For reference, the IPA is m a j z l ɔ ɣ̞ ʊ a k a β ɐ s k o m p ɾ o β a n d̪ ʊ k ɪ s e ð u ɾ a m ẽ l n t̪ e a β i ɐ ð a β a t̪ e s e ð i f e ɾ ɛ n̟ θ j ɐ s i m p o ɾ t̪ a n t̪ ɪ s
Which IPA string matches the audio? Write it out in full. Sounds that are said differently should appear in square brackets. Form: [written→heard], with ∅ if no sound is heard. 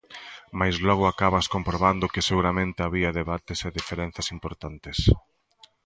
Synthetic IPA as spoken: m a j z l ɔ ɣ̞ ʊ a k a β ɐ s k o m p ɾ o β a n d̪ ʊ k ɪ s e [ð→ɣ] u ɾ a m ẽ [l→∅] n t̪ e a β i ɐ ð [a→e] β a t̪ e s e ð i f e ɾ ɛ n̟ θ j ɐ s i m p o ɾ t̪ a n t̪ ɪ s